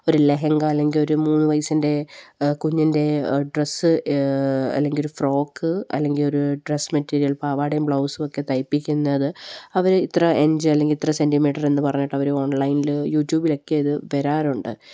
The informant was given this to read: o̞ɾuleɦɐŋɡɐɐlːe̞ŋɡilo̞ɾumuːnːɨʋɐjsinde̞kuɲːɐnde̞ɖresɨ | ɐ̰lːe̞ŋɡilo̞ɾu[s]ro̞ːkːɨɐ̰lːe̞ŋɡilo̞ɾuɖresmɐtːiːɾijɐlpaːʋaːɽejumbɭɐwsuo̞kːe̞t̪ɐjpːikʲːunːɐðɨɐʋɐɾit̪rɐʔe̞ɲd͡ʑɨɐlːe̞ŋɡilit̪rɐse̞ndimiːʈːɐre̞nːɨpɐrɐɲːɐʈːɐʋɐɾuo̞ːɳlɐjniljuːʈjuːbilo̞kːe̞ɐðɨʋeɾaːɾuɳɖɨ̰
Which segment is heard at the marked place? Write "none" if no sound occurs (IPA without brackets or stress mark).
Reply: f